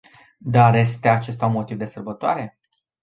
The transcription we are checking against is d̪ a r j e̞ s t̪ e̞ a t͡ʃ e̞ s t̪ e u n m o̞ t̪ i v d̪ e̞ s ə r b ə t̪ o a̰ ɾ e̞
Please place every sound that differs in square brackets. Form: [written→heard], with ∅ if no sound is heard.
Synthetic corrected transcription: d̪ a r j e̞ s t̪ e̞ a t͡ʃ e̞ s t̪ [e→a] u n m o̞ t̪ i v d̪ e̞ s ə r b ə t̪ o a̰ ɾ e̞